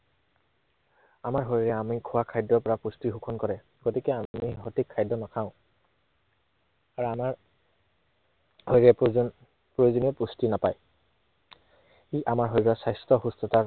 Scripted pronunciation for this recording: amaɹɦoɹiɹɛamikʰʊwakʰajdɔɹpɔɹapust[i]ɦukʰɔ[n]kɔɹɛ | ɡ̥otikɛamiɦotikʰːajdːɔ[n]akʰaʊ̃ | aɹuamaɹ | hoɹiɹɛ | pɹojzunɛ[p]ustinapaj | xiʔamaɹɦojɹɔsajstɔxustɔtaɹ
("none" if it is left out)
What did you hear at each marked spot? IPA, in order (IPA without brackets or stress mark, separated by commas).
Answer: i, n, n, p